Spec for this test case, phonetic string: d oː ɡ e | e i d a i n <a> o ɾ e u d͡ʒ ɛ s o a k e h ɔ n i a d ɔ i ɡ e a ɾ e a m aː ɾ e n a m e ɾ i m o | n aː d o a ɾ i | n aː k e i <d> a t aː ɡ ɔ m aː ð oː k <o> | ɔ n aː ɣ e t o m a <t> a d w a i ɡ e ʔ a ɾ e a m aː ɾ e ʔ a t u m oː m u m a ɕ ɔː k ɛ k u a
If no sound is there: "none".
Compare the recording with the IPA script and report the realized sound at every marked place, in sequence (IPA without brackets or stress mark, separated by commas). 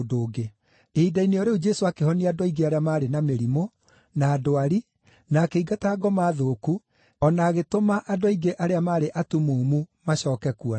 e, ɡ, u, ʔ